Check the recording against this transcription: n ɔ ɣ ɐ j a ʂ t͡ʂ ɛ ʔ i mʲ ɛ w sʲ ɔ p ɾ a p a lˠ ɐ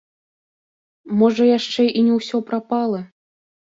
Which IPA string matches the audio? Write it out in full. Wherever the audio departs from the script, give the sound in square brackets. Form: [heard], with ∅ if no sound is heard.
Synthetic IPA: [m] ɔ [ʐ] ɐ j a ʂ t͡ʂ ɛ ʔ i [nʲ] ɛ w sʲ ɔ p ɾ a p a lˠ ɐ